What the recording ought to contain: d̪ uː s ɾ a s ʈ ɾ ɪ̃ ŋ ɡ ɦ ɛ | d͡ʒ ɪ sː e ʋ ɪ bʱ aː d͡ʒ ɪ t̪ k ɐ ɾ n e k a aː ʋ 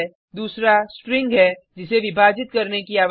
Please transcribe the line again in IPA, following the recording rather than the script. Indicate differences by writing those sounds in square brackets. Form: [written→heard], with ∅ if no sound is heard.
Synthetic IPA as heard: d̪ uː s ɾ a s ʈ ɾ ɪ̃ ŋ ɡ ɦ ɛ | d͡ʒ ɪ [sː→s] e ʋ ɪ bʱ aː d͡ʒ ɪ t̪ k ɐ ɾ n e k [a→i] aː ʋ